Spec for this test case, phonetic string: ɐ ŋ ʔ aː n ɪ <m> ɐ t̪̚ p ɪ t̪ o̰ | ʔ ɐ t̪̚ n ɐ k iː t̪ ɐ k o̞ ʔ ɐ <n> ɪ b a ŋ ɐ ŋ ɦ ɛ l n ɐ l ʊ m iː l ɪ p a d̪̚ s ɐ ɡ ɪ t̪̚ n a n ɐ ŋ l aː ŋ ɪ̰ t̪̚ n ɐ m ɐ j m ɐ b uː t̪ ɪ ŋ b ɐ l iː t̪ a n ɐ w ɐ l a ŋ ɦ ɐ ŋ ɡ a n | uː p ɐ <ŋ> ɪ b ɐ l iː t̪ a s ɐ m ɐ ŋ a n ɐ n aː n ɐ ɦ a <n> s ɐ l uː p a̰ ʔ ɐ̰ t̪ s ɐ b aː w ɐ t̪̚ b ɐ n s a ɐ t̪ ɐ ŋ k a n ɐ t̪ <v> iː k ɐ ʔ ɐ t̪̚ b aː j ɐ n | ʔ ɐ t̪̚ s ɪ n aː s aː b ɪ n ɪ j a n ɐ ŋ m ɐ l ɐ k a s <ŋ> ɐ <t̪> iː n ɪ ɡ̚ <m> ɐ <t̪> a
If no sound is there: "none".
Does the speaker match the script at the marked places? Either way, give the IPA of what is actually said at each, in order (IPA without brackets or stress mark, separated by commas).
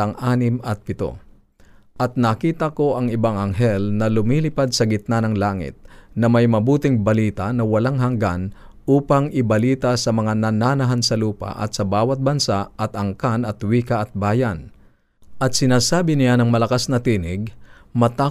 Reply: m, ŋ, ŋ, n, w, n, t̪, m, t̪